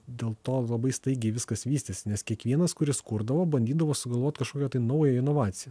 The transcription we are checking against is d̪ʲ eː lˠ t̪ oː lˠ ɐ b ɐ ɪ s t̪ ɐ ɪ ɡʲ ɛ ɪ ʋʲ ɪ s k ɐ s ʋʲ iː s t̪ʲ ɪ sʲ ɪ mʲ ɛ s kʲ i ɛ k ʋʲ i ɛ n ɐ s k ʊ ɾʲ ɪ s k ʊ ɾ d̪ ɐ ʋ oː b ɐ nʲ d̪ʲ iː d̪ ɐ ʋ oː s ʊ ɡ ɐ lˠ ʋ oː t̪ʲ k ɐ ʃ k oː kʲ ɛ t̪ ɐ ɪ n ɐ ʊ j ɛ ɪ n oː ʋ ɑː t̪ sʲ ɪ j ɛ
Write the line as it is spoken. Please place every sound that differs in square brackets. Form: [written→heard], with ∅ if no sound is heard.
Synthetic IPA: d̪ʲ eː lˠ t̪ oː lˠ ɐ b ɐ ɪ s t̪ ɐ ɪ ɡʲ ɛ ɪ ʋʲ ɪ s k ɐ s ʋʲ iː s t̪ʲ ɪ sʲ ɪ [mʲ→nʲ] ɛ s kʲ i ɛ k ʋʲ i ɛ n ɐ s k ʊ ɾʲ ɪ s k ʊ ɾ d̪ ɐ ʋ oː b ɐ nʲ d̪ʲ iː d̪ ɐ ʋ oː s ʊ ɡ ɐ lˠ ʋ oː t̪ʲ k ɐ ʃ k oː kʲ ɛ t̪ ɐ ɪ n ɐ ʊ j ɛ ɪ n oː ʋ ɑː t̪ sʲ ɪ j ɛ